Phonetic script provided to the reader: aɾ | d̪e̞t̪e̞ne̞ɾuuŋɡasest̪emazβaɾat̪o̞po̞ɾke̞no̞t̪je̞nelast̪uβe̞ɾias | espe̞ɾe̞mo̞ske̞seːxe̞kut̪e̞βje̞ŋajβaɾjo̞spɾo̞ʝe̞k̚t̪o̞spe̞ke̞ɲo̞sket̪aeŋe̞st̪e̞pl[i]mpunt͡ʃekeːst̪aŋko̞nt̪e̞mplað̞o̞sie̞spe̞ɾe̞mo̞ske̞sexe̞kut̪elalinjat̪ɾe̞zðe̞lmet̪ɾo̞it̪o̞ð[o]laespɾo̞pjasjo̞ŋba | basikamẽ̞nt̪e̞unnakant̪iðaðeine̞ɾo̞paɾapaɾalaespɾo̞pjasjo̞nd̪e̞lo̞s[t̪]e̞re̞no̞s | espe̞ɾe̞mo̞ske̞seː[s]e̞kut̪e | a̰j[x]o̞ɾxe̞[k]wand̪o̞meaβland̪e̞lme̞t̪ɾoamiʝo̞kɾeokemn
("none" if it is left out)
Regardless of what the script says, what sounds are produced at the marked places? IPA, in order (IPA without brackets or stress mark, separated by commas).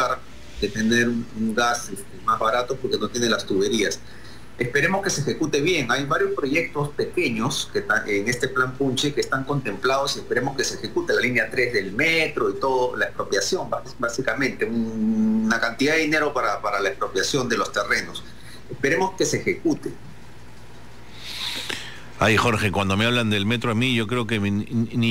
a, o, t̪, x, x, k